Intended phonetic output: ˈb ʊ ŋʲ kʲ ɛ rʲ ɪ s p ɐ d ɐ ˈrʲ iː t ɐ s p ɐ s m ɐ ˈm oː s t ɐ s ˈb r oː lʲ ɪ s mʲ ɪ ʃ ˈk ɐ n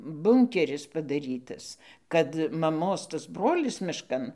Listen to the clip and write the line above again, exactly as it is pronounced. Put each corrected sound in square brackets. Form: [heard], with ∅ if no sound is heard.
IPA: ˈb ʊ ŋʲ kʲ ɛ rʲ ɪ s p ɐ d ɐ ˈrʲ iː t ɐ s [k] ɐ [t] m ɐ ˈm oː s t ɐ s ˈb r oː lʲ ɪ s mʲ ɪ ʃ ˈk ɐ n

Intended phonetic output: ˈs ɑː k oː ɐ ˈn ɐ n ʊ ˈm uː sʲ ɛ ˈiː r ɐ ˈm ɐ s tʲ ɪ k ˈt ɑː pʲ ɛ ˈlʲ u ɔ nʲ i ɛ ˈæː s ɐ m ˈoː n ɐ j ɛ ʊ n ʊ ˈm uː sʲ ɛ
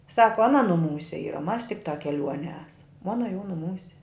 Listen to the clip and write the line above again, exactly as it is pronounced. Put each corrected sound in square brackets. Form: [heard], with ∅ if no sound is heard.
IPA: ˈs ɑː k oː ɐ ˈn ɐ n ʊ ˈm uː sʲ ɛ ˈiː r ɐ ˈm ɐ s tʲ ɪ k ˈt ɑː [kʲ] ɛ ˈlʲ u ɔ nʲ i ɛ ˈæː s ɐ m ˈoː n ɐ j ɛ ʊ n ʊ ˈm uː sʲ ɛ

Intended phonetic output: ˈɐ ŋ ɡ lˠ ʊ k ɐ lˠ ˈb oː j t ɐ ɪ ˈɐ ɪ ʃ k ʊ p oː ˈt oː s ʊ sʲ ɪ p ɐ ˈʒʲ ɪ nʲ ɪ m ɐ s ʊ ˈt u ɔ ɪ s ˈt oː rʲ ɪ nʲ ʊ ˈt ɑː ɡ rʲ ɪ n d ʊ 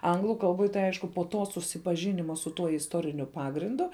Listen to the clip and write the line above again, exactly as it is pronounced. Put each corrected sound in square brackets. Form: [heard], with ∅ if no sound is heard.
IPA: ˈɐ ŋ ɡ lˠ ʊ k ɐ lˠ ˈb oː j t ɐ ɪ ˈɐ ɪ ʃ k ʊ p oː ˈt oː s ʊ sʲ ɪ p ɐ ˈʒʲ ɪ nʲ ɪ m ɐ s ʊ ˈt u ɔ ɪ s ˈt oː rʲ ɪ nʲ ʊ [ˈp] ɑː ɡ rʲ ɪ n d ʊ

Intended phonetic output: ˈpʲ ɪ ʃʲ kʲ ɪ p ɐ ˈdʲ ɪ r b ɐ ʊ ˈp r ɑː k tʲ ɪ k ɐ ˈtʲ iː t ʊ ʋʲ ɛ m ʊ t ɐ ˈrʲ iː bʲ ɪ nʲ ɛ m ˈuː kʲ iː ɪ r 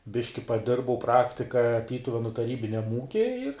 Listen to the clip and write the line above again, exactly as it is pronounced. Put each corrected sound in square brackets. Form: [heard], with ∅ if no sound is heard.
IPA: [ˈbʲ] ɪ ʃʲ kʲ ɪ p ɐ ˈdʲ ɪ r b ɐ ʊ ˈp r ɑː k tʲ ɪ k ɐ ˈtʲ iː t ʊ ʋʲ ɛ [n] ʊ t ɐ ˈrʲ iː bʲ ɪ nʲ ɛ m ˈuː kʲ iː ɪ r

